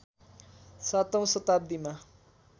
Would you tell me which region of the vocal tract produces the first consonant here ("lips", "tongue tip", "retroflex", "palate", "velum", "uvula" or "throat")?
tongue tip